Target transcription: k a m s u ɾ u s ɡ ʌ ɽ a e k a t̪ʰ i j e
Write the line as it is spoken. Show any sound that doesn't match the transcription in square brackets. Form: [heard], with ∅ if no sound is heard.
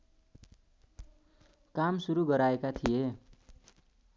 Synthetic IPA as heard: k a m s u ɾ u [∅] ɡ ʌ [ɾ] a e k a t̪ʰ i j e